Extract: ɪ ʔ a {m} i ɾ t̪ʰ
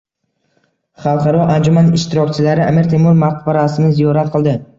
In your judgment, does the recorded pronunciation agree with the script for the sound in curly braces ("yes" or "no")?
yes